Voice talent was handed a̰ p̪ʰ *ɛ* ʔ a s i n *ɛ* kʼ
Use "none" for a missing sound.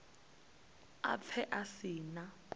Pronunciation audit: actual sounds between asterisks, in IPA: ɛ, a

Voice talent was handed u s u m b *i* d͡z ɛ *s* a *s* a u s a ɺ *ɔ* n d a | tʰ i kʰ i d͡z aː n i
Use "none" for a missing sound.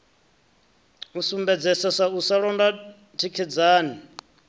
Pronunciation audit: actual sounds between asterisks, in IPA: ɛ, s, s, ɔ

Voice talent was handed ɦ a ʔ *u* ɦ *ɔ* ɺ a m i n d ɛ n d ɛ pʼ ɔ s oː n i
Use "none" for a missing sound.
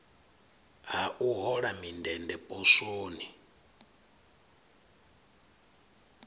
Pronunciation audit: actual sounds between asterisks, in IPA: u, ɔ

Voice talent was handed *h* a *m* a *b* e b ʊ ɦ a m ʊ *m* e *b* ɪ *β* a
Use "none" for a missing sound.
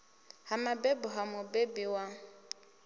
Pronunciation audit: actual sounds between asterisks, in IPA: h, m, b, b, b, w

